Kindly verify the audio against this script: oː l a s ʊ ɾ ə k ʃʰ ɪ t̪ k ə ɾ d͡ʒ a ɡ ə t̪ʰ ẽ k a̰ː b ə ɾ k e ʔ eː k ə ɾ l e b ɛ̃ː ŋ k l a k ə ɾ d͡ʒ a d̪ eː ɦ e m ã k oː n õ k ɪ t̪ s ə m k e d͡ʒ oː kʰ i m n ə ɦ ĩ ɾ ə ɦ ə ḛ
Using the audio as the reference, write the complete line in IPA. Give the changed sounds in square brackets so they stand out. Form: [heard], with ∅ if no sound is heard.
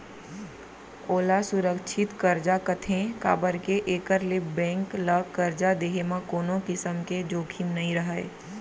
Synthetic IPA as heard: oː l a s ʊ ɾ ə k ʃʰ ɪ t̪ k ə ɾ d͡ʒ a [k] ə t̪ʰ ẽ k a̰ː b ə ɾ k e ʔ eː k ə ɾ l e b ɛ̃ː ŋ k l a k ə ɾ d͡ʒ a d̪ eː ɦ e m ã k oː n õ k ɪ [∅] s ə m k e d͡ʒ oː kʰ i m n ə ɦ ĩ ɾ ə ɦ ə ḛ